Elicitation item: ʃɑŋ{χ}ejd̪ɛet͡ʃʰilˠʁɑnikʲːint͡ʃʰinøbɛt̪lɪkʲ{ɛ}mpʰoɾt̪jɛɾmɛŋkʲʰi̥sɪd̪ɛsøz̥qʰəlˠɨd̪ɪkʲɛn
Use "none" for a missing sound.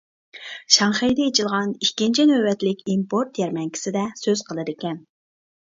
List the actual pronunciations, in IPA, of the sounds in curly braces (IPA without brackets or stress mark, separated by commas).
χ, i